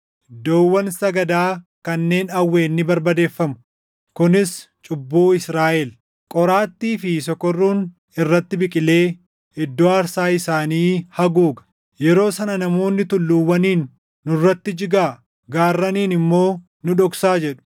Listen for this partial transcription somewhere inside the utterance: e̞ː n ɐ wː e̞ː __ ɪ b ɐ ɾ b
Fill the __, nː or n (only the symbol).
nː